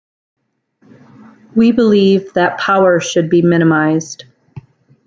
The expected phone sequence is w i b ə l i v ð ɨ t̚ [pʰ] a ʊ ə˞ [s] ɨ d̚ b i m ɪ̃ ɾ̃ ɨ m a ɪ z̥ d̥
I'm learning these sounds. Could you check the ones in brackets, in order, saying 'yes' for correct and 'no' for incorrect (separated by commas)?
yes, no